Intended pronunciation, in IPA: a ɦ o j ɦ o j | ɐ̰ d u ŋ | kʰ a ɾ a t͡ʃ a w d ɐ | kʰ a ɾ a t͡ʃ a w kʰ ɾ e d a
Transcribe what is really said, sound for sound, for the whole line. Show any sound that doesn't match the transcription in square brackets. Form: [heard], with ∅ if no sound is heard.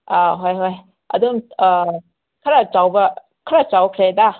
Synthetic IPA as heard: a ɦ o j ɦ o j | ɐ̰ d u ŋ | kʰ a ɾ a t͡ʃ a w [b] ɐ | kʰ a ɾ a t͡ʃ a w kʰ ɾ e d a